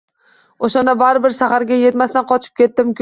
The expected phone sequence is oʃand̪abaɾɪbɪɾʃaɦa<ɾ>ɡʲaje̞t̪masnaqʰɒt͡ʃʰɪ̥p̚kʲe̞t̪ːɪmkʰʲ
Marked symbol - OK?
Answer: yes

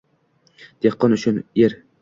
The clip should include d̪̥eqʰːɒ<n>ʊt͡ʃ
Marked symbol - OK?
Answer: yes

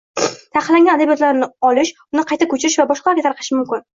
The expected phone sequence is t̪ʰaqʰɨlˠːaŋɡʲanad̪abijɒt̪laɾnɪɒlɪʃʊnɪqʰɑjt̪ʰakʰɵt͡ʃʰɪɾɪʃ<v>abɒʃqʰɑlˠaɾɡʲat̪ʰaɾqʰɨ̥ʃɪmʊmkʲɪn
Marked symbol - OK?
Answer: yes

